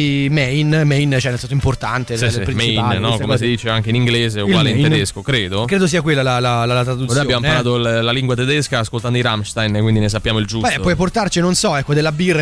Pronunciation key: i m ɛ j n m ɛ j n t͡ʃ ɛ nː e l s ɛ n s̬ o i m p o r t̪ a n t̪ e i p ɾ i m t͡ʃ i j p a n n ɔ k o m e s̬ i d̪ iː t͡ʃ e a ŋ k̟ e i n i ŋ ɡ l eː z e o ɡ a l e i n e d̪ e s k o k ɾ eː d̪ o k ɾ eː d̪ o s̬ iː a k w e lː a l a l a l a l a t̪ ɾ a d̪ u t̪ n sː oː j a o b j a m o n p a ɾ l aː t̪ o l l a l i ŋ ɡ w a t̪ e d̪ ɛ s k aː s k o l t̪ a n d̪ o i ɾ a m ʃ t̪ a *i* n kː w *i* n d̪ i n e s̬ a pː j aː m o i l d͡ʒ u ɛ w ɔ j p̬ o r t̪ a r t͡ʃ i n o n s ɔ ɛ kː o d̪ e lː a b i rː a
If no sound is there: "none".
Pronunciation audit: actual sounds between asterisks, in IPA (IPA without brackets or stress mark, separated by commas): j, i